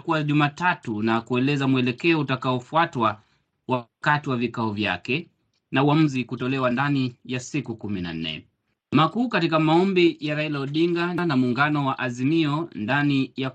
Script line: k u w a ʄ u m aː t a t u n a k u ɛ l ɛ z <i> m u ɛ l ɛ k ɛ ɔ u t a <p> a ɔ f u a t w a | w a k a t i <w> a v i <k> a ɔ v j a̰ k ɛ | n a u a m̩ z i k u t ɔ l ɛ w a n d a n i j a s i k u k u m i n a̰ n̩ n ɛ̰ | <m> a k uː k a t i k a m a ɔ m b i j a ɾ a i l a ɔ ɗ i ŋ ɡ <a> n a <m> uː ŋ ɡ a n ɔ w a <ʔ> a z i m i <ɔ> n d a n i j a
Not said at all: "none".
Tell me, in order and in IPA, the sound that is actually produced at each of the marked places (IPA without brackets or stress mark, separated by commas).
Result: a, k, w, k, m, a, m, ʔ, ɔ